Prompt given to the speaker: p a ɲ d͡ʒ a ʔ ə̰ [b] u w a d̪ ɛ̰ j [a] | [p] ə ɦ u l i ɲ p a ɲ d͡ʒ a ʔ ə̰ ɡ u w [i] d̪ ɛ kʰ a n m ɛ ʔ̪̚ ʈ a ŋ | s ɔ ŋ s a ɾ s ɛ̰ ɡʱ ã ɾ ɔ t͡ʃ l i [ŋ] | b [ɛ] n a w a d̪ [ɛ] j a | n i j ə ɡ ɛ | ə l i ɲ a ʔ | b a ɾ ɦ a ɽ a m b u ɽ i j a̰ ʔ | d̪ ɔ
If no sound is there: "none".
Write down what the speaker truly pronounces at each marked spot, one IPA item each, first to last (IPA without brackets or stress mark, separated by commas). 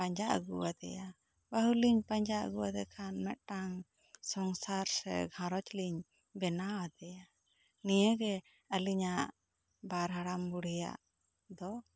ɡ, a, b, a, ɲ, ɛ, ɛ